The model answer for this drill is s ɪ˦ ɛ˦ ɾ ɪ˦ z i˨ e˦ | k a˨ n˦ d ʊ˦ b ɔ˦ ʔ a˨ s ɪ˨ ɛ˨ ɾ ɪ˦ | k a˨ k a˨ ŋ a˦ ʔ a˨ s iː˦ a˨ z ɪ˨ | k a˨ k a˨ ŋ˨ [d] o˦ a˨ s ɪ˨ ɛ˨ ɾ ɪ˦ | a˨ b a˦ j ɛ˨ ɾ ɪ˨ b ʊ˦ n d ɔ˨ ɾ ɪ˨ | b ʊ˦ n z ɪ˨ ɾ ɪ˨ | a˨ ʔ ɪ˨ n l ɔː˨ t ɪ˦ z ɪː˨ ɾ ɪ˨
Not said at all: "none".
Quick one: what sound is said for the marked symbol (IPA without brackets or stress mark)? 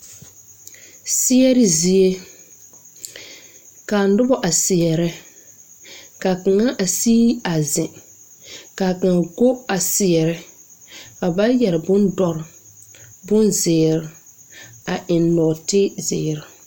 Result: ɡ